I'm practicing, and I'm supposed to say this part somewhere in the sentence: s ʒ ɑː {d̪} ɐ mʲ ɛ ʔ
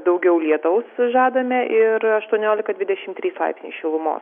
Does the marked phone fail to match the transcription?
no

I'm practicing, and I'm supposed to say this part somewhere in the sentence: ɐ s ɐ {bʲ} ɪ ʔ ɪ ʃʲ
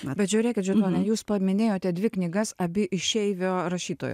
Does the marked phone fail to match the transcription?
no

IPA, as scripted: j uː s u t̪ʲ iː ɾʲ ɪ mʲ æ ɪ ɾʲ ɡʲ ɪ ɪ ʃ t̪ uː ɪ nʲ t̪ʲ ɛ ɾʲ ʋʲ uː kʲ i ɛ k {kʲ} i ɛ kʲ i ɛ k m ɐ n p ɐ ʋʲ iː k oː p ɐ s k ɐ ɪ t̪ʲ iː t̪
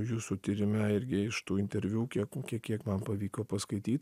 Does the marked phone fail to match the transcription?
no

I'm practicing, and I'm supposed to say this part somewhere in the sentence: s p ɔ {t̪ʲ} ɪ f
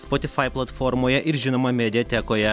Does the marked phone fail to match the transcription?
no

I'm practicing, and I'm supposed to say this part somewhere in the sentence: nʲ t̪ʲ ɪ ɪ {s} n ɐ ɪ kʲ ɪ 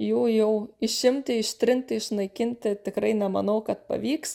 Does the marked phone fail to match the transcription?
yes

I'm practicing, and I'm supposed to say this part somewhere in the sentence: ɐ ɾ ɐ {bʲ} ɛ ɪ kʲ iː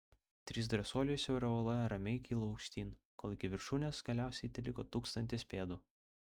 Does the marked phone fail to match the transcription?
yes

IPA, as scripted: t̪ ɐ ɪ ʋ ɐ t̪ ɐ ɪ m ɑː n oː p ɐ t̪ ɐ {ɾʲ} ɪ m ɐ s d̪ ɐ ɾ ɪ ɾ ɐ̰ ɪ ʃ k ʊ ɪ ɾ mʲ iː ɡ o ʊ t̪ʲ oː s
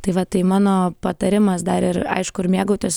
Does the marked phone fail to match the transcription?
no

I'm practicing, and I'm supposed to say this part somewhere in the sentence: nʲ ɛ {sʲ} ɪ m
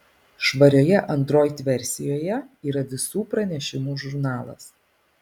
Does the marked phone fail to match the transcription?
yes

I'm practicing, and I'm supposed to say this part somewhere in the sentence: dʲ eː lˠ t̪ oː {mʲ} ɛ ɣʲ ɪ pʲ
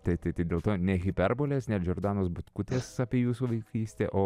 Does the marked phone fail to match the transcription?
yes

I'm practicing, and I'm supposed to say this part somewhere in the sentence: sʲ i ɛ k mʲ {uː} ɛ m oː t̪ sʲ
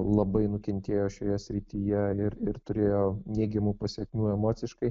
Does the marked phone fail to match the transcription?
no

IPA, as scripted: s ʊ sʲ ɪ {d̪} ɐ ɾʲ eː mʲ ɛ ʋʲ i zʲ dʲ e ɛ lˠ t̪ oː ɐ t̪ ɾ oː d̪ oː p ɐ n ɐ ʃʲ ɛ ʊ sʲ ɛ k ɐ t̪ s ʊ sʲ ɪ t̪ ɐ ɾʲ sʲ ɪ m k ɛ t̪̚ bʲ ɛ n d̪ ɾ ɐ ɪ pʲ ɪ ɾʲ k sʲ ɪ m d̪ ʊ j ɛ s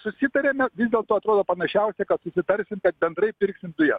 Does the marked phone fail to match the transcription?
yes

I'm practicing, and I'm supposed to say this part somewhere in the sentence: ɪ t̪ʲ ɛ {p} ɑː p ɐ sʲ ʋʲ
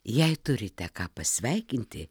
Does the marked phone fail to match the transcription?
yes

